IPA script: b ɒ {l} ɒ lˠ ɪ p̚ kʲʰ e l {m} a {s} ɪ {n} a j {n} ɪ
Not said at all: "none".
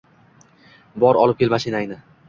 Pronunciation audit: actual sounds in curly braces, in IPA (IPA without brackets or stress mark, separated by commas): ɾ, m, ʃ, n, n